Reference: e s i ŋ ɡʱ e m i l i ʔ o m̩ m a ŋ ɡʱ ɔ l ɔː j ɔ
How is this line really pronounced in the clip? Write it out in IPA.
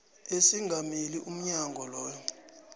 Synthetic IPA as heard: e s i ŋ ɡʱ a m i l i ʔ u m̩ ɲ a ŋ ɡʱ ɔ l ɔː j ɔ